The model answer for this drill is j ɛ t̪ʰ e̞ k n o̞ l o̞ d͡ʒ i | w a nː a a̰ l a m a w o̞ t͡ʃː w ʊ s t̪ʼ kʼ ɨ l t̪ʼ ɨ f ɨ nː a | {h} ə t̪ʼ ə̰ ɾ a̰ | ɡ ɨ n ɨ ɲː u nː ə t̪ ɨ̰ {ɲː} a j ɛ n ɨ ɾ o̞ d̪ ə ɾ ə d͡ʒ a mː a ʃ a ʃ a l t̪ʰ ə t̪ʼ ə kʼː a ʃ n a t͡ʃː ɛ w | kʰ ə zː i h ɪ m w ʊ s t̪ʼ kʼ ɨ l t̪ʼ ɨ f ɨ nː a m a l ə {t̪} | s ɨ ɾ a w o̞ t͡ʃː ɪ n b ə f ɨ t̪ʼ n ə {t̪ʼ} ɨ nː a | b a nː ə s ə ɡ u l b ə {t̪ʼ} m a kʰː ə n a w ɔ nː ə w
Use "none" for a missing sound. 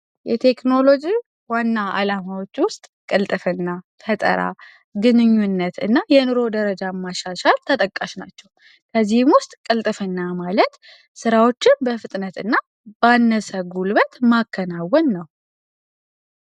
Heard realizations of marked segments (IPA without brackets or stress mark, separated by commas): f, nː, t̪, t̪, t̪